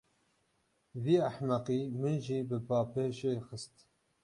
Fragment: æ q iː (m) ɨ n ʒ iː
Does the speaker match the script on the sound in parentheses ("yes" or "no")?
yes